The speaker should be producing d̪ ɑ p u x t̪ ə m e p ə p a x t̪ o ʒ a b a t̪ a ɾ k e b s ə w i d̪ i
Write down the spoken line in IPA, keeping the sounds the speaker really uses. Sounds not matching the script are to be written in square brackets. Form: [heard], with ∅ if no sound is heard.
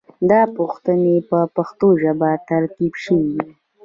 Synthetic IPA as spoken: d̪ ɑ p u x t̪ ə [n] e p ə p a x t̪ o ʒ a b a t̪ a ɾ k [i] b [ʃ] ə w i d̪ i